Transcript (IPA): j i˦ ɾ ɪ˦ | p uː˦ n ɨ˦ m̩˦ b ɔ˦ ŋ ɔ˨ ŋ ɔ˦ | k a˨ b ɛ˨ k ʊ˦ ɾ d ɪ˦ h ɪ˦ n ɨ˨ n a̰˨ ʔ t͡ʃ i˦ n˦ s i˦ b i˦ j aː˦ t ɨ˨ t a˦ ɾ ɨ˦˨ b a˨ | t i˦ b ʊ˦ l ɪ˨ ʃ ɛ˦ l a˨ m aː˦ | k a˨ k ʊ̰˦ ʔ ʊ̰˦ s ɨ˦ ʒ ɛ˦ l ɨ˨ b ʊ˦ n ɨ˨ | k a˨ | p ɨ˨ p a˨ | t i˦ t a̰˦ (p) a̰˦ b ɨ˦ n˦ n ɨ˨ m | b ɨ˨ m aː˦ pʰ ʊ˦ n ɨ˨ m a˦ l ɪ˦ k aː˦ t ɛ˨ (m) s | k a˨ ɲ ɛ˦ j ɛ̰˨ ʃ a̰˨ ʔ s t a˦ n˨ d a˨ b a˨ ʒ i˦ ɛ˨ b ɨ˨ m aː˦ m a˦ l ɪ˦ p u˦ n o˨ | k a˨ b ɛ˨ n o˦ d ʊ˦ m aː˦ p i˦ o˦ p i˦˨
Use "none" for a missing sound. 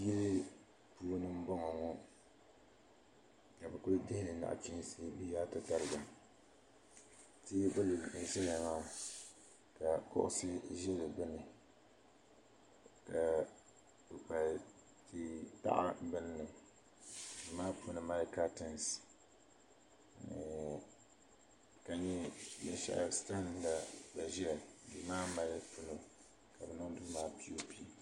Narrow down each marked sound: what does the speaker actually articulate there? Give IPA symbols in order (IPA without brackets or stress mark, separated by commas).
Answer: ʔ, n